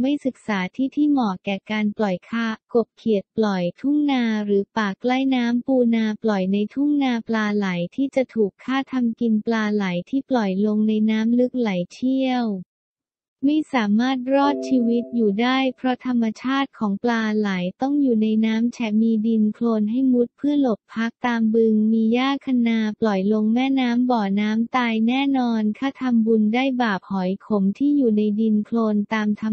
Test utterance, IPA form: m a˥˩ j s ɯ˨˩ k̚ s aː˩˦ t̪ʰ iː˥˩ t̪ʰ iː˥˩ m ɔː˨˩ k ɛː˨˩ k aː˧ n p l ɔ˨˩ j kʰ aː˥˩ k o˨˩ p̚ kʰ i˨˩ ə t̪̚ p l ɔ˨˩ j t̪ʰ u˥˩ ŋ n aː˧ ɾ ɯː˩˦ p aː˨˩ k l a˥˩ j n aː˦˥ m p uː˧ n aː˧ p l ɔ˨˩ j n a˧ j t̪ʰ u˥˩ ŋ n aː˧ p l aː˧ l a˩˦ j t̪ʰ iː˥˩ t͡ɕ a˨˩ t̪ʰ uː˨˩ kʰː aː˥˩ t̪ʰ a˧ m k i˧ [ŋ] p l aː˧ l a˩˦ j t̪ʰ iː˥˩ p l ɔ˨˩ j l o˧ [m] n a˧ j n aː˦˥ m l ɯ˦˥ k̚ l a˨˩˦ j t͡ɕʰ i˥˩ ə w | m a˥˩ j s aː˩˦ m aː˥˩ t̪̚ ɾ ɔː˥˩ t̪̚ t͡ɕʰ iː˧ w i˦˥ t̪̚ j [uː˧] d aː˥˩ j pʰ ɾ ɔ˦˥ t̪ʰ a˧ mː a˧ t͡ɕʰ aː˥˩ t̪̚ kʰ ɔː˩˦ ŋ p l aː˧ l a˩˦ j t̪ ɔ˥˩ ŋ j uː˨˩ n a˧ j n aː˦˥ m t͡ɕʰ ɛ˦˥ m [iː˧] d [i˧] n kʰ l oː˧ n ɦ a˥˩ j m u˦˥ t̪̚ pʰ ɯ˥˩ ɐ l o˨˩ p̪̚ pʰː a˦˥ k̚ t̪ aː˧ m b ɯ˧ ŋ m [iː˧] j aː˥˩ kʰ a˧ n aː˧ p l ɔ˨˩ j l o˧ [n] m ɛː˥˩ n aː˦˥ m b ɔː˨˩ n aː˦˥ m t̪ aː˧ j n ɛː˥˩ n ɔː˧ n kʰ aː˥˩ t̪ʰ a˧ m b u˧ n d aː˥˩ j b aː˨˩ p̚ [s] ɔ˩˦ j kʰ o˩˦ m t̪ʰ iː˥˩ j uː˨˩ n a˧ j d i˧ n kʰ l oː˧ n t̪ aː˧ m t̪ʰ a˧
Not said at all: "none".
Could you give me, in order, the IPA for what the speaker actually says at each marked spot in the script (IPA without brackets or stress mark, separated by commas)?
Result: n, ŋ, uː˨˩, iː˧, i˧, iː˧, ŋ, h